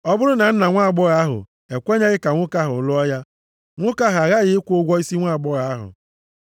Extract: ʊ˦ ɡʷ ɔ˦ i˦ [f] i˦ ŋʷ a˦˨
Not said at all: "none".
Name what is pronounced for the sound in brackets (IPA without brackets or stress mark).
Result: s